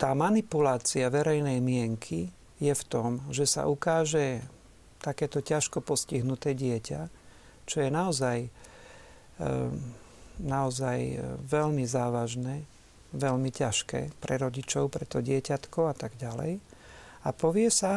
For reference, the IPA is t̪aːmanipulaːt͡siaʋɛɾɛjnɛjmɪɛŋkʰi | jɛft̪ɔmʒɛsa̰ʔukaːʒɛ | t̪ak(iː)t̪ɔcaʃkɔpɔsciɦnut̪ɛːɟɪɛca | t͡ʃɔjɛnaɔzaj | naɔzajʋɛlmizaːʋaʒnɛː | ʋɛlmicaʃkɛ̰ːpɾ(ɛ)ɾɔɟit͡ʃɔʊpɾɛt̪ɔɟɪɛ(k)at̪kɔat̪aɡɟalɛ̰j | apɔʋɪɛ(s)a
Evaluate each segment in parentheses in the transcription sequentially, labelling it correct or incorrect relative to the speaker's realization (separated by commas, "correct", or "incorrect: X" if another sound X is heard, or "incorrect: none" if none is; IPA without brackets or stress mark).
incorrect: ɛː, correct, incorrect: c, correct